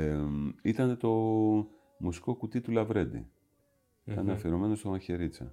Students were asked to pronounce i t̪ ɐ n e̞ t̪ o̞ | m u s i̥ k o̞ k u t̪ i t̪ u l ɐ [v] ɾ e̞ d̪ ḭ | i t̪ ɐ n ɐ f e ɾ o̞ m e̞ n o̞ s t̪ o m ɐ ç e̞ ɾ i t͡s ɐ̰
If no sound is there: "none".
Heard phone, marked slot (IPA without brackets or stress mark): v